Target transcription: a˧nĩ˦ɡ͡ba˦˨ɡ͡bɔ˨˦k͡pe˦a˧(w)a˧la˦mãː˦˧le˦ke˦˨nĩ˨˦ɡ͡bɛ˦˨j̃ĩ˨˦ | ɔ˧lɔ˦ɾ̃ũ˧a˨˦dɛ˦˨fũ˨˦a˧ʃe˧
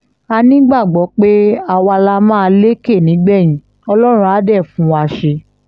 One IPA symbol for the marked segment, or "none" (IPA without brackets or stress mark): w